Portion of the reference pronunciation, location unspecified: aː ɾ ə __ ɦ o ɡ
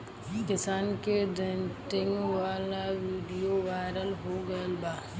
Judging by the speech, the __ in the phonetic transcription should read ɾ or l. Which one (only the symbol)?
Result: l